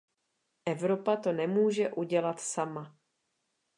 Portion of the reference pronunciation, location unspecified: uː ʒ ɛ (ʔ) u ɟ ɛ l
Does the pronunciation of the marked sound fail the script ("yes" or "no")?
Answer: no